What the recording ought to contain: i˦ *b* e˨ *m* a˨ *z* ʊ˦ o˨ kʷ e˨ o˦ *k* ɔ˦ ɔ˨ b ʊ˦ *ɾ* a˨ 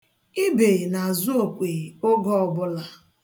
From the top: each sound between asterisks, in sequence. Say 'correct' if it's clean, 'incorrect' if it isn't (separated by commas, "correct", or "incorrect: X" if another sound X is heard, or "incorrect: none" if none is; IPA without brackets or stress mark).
correct, incorrect: n, correct, incorrect: ɡ, incorrect: l